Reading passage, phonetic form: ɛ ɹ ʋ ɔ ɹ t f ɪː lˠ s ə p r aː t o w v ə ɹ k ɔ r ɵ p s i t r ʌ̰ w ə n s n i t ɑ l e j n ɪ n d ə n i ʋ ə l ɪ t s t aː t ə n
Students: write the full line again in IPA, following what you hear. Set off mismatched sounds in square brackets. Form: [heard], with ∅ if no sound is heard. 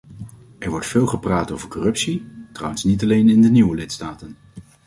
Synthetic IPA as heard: ɛ ɹ ʋ ɔ ɹ t f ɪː lˠ [χ] ə p r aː t o w v ə ɹ k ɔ r ɵ p s i t r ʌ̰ w ə n s n i t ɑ l e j n ɪ n d ə n i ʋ ə l ɪ t s t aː t ə n

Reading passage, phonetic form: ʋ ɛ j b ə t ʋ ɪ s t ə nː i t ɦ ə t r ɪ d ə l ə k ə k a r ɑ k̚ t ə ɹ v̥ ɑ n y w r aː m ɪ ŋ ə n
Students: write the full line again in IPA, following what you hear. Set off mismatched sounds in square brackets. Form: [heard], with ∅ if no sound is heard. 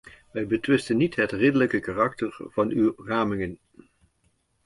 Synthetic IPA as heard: ʋ ɛ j b ə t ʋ ɪ s t ə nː i t ɦ ə t r ɪ d ə l ə k ə k a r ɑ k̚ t ə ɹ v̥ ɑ n y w r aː m ɪ ŋ ə n

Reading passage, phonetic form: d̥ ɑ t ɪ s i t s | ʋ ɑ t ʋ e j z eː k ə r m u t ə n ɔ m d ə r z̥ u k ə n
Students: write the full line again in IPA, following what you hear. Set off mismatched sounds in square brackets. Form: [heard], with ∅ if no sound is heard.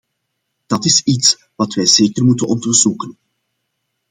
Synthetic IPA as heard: d̥ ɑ t ɪ s i t s | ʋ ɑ t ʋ [ɛ] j z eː k ə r m u t ə n ɔ [n] d ə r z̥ u k ə n

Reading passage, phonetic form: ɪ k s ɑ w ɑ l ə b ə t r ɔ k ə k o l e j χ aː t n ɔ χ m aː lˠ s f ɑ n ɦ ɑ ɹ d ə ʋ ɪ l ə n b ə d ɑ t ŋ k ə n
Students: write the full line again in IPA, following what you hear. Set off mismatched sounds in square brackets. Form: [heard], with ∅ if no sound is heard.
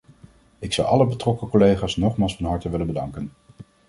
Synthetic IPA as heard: ɪ k s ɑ w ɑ l ə b ə t r ɔ k ə k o l e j χ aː [s] n ɔ χ m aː lˠ s f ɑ n ɦ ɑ ɹ [t] ə ʋ ɪ l ə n b ə d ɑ [∅] ŋ k ə n

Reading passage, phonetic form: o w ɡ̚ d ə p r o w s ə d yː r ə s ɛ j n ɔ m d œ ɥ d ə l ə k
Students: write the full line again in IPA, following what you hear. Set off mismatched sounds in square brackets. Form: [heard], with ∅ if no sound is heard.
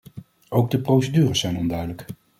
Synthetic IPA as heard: o w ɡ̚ d ə p r o w s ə d yː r ə s ɛ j n ɔ [n] d œ ɥ d ə l ə k

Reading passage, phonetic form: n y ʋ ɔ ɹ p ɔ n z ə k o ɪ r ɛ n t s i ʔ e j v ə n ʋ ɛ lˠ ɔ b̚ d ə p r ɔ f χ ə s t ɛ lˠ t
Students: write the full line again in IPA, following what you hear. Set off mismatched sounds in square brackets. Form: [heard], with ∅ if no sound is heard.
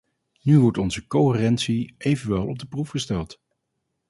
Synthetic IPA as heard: n y ʋ ɔ ɹ [t] ɔ n z ə k o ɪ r ɛ n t s i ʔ e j v ə n ʋ ɛ lˠ ɔ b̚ d ə p r [u] f χ ə s t ɛ lˠ t

